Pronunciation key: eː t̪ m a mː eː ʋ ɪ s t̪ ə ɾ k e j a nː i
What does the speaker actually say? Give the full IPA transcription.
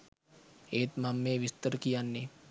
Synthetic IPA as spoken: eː t̪ m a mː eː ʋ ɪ s t̪ ə ɾ k i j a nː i